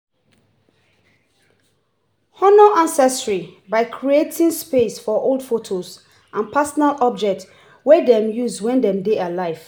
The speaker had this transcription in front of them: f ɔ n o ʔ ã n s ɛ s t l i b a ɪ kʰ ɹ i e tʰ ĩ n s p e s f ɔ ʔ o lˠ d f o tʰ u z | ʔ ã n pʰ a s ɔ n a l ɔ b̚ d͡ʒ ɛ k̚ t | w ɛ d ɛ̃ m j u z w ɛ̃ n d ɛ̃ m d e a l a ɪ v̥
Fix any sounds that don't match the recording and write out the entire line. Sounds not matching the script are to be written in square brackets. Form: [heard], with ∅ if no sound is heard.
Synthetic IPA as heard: [h] ɔ n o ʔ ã n s ɛ s t [ɹ] i b a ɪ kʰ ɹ i e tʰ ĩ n s p e s f ɔ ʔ o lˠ d f o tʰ [o] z | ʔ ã n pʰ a s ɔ n a l ɔ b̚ d͡ʒ ɛ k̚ t | w ɛ d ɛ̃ m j u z w ɛ̃ n d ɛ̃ m d e a l a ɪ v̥